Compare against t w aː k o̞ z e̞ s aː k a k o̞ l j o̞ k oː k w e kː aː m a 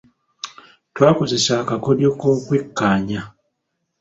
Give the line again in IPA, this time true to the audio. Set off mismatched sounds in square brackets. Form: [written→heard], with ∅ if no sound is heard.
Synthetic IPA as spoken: t w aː k o̞ z e̞ s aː k a k o̞ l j o̞ k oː k w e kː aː [m→ɲ] a